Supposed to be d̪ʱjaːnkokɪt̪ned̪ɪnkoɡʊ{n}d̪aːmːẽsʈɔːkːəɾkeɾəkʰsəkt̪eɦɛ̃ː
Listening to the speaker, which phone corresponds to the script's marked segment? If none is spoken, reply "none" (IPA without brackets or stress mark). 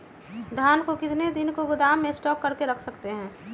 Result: none